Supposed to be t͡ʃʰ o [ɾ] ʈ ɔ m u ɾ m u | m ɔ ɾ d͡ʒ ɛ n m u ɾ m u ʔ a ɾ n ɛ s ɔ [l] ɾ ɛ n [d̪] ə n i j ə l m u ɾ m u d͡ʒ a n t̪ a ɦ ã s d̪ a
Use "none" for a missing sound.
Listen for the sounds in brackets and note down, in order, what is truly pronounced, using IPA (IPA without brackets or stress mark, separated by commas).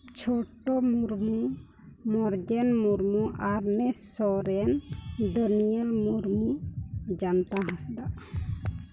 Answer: none, none, d̪